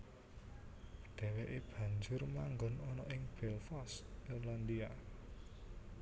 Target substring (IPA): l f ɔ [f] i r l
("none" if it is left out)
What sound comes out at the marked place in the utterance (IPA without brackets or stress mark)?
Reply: s